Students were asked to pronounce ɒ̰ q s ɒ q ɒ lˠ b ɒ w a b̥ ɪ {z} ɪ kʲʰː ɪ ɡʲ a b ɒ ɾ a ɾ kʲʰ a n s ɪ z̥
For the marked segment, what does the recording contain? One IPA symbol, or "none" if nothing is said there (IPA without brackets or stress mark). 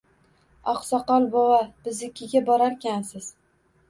z